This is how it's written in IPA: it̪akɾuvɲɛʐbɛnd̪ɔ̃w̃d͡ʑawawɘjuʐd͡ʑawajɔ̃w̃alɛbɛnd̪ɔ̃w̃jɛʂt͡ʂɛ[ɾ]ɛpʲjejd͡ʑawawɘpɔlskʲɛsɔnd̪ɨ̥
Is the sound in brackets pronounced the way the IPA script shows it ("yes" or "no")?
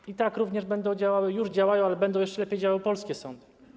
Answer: no